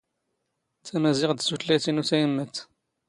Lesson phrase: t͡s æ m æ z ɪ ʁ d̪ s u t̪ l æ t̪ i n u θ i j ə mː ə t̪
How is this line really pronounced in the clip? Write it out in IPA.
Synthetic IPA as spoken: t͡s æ m æ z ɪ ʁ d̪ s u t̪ l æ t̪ i n u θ æ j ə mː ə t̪